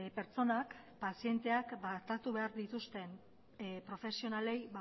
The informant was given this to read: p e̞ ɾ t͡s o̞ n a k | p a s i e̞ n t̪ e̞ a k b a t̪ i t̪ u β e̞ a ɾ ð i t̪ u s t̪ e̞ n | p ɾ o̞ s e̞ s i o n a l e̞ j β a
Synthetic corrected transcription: p e̞ ɾ t͡s o̞ n a k | p a s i e̞ n t̪ e̞ a k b a t̪ a t̪ u β e̞ a ɾ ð i t̪ u s t̪ e̞ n | p ɾ o̞ f e̞ s i o n a l e̞ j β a